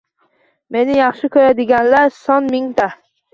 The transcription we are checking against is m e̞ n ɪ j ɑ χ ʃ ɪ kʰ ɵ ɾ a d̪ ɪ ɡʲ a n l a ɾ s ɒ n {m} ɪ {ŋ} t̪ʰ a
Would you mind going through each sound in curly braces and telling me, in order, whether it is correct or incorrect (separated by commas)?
correct, correct